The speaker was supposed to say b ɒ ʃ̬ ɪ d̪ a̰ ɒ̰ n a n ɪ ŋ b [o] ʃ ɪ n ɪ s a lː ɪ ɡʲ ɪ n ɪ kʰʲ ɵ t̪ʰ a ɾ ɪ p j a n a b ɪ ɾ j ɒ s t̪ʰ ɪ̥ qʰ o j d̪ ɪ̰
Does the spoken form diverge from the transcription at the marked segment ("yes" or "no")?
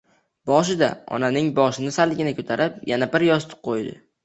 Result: yes